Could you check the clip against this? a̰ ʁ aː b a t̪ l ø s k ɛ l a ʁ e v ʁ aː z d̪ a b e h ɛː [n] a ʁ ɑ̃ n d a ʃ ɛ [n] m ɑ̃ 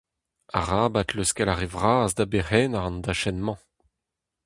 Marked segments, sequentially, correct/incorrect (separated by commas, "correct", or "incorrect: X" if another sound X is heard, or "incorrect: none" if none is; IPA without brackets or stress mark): correct, correct